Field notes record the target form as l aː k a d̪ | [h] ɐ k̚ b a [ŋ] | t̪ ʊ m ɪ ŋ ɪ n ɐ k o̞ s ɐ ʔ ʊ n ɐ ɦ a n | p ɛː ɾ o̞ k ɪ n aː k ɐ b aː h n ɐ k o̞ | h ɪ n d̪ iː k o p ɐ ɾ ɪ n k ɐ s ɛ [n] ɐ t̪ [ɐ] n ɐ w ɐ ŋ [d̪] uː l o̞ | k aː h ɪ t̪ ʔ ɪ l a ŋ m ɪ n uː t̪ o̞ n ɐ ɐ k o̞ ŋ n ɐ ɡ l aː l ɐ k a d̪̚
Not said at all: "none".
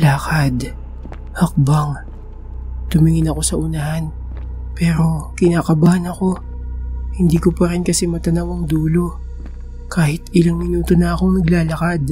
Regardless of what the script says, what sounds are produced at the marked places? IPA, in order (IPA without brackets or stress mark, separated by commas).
h, ŋ, m, ɐ, d̪